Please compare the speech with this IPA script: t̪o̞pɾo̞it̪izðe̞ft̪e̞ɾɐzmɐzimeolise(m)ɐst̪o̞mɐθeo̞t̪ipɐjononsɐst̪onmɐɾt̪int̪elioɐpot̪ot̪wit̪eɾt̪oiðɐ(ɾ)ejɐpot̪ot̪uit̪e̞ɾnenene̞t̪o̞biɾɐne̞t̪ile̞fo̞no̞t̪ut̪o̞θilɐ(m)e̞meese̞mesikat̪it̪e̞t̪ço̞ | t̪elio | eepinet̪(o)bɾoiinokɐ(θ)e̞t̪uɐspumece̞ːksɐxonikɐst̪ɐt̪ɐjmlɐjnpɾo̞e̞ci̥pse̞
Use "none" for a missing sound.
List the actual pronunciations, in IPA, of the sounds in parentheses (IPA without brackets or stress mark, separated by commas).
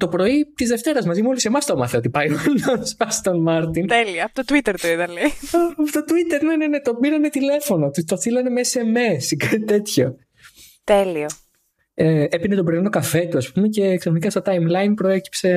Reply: m, l, n, o, f